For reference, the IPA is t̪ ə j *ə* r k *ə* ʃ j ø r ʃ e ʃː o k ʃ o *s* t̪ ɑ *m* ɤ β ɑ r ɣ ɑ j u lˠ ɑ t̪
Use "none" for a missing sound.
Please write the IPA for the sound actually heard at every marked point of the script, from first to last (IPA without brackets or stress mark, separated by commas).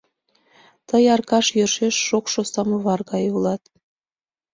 ɑ, ɑ, s, m